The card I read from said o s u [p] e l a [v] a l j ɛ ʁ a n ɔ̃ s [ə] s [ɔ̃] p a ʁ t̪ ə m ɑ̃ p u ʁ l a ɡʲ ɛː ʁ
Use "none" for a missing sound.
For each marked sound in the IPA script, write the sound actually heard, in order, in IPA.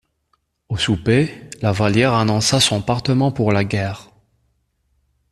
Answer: p, v, a, ɔ̃

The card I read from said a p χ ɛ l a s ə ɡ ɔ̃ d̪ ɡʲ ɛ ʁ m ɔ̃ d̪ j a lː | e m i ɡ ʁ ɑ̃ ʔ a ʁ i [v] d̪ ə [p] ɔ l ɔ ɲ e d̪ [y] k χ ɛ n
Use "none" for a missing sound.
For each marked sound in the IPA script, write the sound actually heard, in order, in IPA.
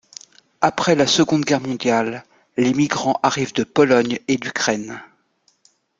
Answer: v, p, y

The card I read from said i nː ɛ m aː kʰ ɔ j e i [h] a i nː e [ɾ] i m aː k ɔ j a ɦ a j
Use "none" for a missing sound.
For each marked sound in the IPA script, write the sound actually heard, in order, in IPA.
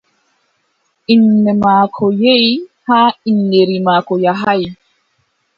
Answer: h, ɾ

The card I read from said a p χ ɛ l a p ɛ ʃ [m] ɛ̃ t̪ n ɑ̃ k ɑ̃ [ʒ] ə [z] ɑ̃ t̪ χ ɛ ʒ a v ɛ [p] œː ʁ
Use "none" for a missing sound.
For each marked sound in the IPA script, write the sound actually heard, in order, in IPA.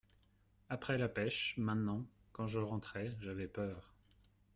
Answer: m, ʒ, ʁ, p

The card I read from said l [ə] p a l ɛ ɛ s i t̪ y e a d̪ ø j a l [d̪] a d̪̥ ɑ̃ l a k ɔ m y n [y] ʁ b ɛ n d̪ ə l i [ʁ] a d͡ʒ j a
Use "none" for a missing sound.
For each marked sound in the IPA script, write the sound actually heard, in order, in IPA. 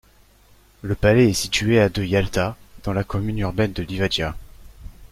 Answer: ə, t̪, y, v

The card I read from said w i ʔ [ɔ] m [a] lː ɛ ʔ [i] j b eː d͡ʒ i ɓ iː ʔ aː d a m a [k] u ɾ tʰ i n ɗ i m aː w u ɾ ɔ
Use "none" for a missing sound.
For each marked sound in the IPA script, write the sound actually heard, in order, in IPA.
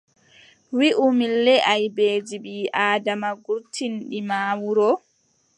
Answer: u, i, a, ɡ

